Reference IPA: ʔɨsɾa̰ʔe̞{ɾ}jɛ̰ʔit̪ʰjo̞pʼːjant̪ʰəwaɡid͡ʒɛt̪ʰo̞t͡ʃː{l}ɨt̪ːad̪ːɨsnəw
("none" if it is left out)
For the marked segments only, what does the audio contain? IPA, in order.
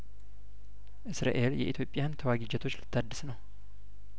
l, l

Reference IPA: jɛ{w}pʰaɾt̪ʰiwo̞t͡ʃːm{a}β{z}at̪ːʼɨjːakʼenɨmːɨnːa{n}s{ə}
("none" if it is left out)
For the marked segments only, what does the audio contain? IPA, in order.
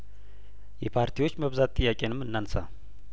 none, ə, z, n, a

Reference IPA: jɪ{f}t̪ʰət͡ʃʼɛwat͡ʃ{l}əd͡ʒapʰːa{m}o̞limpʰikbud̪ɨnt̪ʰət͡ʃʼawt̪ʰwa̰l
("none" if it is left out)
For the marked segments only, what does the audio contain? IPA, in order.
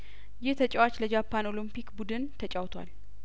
h, l, n

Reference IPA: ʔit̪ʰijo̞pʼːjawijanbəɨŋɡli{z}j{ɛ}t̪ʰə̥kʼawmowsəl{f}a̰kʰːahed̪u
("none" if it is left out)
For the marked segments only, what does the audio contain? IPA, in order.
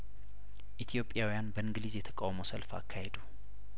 z, ɛ, f

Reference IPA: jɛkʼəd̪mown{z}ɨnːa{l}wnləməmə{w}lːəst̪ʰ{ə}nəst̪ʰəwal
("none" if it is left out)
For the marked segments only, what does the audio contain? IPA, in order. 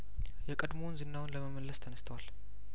z, none, none, ə

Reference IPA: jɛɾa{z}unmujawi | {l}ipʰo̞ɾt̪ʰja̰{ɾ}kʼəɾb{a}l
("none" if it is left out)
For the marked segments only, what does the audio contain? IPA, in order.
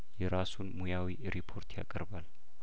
s, ɾ, none, a

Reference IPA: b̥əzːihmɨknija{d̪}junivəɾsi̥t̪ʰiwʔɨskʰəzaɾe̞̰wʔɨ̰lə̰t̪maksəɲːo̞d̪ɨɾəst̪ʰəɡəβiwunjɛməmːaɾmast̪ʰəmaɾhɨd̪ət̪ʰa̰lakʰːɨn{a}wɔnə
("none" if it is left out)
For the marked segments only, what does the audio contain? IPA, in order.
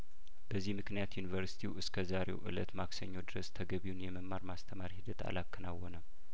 t̪, a

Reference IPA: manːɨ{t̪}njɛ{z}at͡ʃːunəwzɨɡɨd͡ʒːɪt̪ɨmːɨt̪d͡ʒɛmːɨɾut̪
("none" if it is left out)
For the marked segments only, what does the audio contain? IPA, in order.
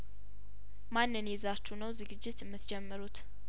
none, z

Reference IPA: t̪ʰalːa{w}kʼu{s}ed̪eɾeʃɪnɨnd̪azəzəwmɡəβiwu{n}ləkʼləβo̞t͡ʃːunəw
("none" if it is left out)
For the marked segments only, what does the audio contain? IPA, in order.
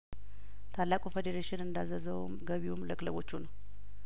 none, f, m

